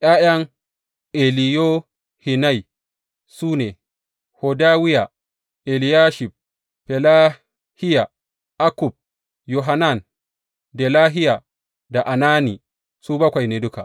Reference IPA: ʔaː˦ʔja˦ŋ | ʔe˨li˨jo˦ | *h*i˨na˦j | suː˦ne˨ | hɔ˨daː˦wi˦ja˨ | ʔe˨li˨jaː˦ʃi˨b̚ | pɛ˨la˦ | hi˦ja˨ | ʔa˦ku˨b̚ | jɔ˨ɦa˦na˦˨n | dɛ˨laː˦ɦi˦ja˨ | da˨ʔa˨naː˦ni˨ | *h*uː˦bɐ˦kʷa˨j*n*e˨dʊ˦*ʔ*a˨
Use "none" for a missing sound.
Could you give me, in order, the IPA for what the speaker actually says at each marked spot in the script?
h, s, n, k

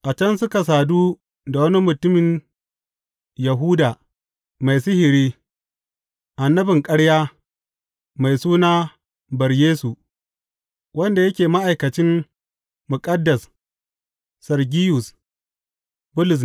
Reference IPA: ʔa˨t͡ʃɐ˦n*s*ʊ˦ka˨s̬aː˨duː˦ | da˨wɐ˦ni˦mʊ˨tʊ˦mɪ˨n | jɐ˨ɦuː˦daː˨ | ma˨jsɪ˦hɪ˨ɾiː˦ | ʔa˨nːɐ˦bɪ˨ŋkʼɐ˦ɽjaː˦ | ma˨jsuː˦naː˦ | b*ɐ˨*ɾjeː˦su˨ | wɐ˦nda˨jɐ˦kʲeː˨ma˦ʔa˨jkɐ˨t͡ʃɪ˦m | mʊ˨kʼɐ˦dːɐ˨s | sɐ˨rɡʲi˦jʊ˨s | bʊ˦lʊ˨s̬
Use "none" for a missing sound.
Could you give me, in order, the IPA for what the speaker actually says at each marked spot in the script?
s, ɐ˨

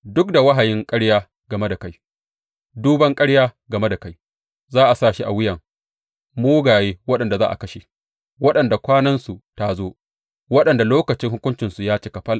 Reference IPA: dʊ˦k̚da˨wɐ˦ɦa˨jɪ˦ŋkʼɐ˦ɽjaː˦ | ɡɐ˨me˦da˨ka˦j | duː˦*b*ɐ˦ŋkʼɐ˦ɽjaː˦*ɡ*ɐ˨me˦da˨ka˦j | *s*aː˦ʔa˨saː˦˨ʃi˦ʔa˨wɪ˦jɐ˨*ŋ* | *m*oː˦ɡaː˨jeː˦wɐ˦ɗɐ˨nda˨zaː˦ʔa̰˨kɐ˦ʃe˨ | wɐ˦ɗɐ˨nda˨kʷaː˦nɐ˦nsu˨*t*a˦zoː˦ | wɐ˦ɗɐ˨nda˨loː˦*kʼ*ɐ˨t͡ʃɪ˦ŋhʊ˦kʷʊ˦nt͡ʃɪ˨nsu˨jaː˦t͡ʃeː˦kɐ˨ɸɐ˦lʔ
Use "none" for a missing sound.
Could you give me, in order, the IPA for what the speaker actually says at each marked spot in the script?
b, ɡ, z, ŋ, m, t, k

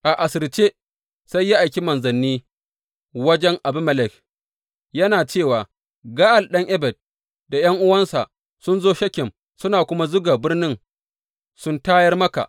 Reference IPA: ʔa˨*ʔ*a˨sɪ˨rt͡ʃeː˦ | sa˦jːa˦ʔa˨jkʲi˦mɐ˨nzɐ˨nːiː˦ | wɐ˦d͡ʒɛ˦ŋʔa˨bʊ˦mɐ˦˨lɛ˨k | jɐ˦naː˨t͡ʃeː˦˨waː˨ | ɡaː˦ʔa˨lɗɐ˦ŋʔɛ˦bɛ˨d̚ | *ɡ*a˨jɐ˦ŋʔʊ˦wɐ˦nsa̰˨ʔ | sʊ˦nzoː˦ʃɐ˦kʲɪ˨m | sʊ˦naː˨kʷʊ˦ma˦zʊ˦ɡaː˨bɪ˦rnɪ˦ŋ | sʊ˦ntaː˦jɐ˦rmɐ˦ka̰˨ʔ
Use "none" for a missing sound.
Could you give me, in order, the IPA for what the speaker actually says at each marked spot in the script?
ʔ, d

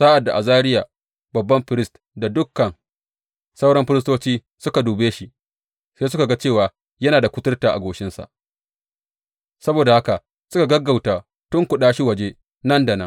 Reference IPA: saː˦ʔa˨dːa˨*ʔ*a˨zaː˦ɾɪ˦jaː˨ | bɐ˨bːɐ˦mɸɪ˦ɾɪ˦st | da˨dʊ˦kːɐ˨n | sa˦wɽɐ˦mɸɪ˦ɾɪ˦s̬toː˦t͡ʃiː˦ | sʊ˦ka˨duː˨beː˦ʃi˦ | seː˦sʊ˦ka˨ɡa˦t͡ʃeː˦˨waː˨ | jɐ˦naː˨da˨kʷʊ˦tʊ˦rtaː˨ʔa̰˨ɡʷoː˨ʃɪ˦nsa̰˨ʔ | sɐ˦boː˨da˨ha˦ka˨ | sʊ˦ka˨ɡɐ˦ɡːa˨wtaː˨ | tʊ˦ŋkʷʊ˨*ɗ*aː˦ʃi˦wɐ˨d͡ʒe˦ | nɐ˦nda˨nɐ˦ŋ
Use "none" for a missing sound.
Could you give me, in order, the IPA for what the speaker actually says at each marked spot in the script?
ʔ, ɗ

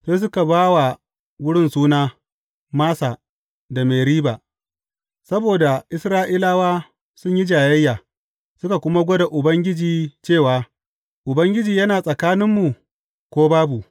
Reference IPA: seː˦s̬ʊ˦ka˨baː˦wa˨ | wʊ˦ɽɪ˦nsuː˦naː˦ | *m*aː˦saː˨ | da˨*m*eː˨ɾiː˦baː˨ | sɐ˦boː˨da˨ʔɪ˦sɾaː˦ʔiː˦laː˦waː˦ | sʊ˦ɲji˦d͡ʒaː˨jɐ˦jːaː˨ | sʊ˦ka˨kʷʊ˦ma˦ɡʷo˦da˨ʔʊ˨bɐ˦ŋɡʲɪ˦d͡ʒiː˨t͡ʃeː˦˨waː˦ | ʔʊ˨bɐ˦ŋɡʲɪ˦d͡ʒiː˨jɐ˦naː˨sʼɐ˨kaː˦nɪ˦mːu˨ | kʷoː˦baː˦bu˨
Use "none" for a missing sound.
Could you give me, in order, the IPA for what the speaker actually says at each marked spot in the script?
m, m

